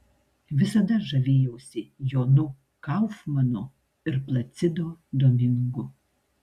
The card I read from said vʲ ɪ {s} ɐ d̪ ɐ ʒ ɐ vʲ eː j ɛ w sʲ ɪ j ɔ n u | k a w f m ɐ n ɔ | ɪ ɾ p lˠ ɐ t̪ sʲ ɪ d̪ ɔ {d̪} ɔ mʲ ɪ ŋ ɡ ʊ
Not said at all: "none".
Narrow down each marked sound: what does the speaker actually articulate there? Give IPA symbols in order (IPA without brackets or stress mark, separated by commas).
s, d̪